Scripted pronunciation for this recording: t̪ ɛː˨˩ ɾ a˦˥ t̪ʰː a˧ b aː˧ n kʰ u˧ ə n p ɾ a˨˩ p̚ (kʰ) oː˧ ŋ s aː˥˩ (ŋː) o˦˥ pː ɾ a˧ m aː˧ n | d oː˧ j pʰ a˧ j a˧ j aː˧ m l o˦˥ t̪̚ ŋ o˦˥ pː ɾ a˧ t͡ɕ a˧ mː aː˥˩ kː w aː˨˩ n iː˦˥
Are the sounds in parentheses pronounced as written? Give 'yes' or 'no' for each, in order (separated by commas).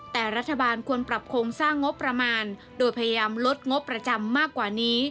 yes, yes